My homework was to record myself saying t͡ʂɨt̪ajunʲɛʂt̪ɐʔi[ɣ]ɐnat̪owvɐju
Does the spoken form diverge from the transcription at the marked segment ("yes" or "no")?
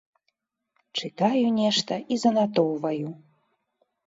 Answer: yes